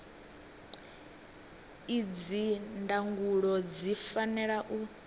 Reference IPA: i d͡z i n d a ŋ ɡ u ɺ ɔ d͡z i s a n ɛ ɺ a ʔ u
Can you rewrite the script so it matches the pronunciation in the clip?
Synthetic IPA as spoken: i d͡z i n d a ŋ ɡ u ɺ ɔ d͡z i f a n ɛ ɺ a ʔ u